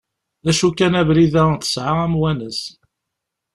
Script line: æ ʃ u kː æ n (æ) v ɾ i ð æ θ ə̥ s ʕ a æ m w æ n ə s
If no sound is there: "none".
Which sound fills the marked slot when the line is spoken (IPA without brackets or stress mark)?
æ